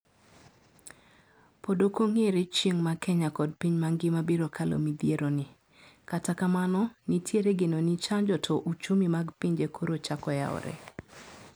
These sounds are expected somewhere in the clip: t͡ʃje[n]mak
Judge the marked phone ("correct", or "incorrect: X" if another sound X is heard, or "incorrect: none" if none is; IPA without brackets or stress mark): incorrect: ŋ